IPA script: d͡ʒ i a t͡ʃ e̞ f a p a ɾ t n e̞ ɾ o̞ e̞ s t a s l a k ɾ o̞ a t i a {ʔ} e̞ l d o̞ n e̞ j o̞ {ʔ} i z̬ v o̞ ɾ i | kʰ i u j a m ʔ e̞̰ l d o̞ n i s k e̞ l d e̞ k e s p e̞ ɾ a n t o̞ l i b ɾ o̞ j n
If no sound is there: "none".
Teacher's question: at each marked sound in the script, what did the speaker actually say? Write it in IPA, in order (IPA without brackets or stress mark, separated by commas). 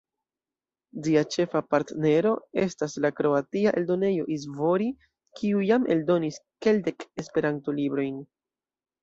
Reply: ʔ, ʔ